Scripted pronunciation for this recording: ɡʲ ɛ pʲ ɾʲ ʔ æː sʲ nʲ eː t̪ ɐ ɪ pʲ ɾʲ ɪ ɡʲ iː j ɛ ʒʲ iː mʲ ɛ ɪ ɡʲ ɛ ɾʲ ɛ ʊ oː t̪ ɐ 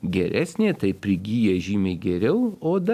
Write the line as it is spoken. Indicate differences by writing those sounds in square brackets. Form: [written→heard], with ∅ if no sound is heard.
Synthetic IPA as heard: ɡʲ ɛ [pʲ→∅] ɾʲ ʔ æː sʲ nʲ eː t̪ ɐ ɪ pʲ ɾʲ ɪ ɡʲ iː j ɛ ʒʲ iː mʲ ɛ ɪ ɡʲ ɛ ɾʲ ɛ ʊ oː [t̪→d̪] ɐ